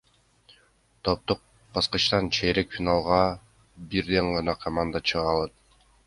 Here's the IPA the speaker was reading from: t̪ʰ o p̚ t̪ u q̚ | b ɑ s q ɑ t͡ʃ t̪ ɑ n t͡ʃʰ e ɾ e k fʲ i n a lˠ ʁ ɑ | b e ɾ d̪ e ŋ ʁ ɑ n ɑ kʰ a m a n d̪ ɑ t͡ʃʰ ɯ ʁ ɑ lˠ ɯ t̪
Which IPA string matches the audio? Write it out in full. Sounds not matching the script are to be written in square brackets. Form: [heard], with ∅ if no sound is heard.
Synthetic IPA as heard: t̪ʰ o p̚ t̪ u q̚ | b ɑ s q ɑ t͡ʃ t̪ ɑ n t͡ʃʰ e ɾ e k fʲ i n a lˠ ʁ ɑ | b [i] ɾ d̪ e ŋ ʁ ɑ n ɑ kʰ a m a n d̪ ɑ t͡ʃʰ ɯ ʁ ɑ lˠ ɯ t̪